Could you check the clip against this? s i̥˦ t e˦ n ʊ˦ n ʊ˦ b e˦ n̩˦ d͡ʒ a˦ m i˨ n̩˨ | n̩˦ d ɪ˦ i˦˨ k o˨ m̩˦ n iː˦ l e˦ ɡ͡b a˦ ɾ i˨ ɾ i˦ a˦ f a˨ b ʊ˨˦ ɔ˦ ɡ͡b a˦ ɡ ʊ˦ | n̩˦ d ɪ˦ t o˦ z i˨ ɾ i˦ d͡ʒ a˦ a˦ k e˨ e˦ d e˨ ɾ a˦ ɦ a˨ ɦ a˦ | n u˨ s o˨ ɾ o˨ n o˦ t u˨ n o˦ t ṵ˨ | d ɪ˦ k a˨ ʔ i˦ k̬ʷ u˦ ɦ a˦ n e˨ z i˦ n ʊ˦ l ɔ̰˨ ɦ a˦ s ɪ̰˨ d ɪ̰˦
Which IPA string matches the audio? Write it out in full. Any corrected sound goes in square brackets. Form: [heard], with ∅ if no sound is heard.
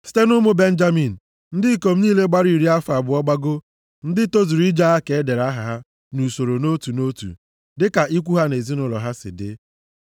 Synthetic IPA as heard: s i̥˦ t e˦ n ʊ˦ [m] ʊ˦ b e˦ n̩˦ d͡ʒ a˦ m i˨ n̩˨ | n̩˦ d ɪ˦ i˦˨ k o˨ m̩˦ n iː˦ l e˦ ɡ͡b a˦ ɾ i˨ ɾ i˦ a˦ f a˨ b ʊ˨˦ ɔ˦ ɡ͡b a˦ ɡ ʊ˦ | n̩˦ d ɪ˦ t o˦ z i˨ ɾ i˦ d͡ʒ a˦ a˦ k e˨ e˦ d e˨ ɾ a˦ ɦ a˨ ɦ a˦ | n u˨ s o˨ ɾ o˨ n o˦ t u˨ n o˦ t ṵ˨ | d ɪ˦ k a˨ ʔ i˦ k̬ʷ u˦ ɦ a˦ n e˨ z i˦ n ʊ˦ l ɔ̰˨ ɦ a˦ s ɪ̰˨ d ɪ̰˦